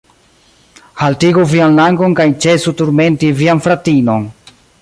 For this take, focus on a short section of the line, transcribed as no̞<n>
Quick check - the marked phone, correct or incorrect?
correct